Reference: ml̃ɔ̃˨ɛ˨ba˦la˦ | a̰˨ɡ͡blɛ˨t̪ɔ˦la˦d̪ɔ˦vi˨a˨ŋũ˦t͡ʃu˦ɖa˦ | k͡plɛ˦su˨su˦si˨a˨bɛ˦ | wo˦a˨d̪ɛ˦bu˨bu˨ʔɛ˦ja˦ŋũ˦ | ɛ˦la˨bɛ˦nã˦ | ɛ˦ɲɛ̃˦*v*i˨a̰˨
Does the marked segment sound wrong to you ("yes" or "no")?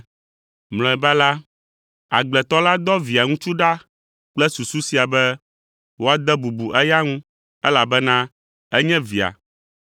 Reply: no